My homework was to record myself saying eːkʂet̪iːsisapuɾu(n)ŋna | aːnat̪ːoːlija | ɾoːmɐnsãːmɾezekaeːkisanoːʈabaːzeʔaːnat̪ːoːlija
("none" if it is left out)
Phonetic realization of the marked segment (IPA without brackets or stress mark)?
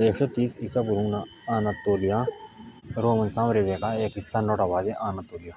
none